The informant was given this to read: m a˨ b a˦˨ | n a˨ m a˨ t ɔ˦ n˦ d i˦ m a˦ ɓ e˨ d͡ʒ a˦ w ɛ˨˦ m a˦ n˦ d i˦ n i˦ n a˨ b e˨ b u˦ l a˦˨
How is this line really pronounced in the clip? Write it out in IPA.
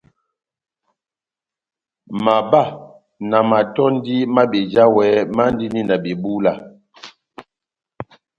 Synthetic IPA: m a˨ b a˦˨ | n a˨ m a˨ t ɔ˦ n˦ d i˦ m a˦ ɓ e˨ d͡ʒ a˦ w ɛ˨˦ m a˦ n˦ d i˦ n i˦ n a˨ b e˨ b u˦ l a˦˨